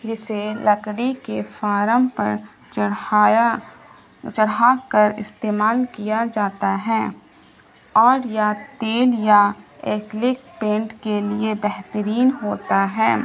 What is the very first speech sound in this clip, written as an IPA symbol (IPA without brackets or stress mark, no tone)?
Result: d͡ʒ